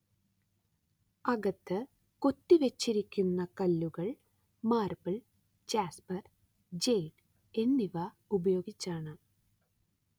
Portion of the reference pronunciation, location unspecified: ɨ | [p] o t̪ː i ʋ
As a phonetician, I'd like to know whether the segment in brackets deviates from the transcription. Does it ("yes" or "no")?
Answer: yes